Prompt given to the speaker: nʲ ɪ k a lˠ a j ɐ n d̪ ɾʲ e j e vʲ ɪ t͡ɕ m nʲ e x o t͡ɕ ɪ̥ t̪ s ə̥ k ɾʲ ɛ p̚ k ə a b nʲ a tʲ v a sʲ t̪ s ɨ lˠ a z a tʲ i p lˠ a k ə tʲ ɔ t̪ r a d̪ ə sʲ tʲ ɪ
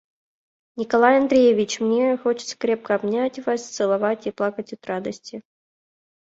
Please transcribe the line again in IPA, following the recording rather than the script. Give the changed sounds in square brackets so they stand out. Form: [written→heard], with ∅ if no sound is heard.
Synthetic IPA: nʲ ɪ k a lˠ a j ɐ n d̪ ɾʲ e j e vʲ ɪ t͡ɕ m nʲ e x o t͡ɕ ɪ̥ t̪ s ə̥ k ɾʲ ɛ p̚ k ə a b nʲ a tʲ v a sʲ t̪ s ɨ lˠ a [z→v] a tʲ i p lˠ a k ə tʲ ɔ t̪ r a d̪ ə sʲ tʲ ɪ